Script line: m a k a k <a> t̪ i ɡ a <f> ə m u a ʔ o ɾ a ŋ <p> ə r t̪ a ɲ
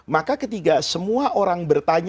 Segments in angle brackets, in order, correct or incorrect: incorrect: ə, incorrect: s, incorrect: b

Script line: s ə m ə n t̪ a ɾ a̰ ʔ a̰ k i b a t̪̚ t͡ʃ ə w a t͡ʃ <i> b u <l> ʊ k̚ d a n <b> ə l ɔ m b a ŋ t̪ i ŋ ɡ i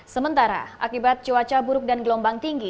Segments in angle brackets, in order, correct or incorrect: incorrect: a, incorrect: ɾ, incorrect: ɡ

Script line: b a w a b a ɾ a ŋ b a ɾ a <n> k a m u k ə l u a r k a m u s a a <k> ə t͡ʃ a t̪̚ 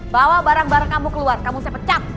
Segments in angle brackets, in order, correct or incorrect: incorrect: ŋ, incorrect: p

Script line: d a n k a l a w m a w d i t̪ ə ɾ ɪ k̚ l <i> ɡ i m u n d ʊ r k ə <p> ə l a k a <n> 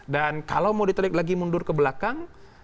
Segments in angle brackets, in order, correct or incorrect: incorrect: a, incorrect: b, incorrect: ŋ

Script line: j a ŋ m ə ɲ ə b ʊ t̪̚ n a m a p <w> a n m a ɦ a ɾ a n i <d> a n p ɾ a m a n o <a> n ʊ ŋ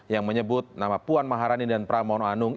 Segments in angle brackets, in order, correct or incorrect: incorrect: u, correct, correct

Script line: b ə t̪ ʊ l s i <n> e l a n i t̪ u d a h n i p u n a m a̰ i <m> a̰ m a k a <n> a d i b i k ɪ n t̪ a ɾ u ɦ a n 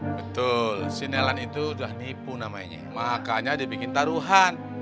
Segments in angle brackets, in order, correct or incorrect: correct, incorrect: ɲ, incorrect: ɲ

